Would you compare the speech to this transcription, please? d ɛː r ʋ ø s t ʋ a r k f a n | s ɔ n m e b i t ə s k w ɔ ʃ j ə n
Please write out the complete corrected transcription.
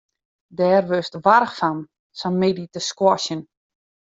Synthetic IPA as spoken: d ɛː r ʋ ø s t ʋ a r x f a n | s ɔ n m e d i t ə s k w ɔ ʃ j ə n